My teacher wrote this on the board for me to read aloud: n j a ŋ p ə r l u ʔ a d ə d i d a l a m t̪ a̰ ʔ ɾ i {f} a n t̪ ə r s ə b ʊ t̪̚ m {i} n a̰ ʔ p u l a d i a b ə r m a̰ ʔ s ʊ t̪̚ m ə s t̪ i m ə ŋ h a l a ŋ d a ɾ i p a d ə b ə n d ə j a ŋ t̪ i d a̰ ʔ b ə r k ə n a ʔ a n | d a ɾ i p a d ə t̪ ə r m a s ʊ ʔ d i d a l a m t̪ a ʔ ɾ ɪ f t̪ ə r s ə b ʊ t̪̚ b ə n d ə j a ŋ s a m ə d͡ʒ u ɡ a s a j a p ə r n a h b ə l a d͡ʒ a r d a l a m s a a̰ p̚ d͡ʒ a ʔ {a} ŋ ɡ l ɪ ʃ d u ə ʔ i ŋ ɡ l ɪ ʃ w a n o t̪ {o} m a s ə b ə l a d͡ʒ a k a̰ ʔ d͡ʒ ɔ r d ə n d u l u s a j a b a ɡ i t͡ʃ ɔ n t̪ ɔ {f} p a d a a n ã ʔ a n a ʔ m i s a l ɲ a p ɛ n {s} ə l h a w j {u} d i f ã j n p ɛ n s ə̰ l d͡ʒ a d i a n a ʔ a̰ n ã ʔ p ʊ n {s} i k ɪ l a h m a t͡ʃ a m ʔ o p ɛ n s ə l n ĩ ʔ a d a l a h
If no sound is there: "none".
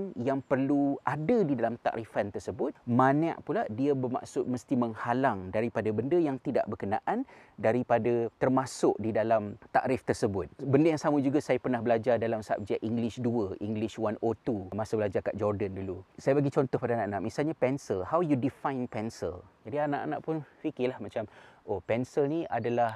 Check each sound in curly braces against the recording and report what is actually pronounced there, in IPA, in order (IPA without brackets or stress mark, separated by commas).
f, a, i, u, h, s, u, f